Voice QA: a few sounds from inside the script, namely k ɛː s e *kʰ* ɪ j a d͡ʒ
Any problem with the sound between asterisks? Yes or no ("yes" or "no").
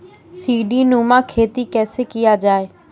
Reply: yes